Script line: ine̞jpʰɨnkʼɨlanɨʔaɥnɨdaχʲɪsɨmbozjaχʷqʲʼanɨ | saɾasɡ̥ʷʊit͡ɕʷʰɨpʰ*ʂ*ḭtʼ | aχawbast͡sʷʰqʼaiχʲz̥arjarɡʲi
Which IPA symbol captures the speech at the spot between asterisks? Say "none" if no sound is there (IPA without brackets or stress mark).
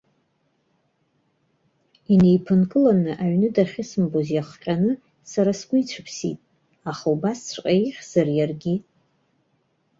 s